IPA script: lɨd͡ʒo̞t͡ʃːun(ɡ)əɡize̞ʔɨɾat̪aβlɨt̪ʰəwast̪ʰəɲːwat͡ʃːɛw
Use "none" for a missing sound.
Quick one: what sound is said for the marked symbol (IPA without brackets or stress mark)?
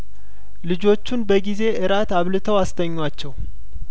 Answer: b